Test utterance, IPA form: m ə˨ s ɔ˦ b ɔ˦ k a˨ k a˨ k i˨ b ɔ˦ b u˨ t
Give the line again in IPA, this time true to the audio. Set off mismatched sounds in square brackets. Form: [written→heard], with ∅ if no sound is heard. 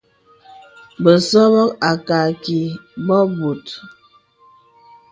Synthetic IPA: [m→b] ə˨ s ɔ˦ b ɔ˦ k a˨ k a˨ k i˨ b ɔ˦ b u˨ t